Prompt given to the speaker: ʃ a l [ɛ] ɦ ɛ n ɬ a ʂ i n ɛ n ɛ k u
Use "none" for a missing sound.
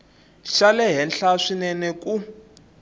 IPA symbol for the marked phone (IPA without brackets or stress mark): ɛ